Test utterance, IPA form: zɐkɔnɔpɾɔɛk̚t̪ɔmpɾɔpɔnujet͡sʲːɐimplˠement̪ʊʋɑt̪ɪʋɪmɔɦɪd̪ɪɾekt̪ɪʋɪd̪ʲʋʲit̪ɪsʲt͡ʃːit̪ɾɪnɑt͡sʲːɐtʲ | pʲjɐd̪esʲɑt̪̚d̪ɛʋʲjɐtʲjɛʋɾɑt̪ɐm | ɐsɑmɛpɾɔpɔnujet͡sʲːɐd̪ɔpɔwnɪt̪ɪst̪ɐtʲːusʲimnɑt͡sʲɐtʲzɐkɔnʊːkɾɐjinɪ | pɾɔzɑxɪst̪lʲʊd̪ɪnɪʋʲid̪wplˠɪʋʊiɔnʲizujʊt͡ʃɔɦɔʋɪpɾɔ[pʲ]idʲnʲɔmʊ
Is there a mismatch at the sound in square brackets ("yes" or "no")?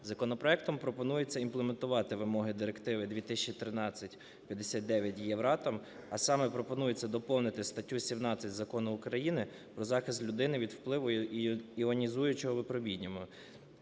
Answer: yes